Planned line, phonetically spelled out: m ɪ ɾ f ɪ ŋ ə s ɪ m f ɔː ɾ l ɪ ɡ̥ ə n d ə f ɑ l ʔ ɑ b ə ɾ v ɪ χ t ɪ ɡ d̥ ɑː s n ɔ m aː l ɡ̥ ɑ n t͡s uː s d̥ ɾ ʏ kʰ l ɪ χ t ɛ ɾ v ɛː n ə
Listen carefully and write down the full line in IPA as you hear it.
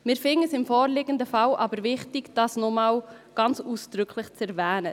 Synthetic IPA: m ɪ ɾ f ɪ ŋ ə s ɪ m f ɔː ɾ l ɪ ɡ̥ ə n d ə f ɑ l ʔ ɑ b ə ɾ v ɪ χ t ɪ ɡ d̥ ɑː s n ɔ m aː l ɡ̥ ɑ n t͡s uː s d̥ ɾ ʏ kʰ l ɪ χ t͡s ɛ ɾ v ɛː n ə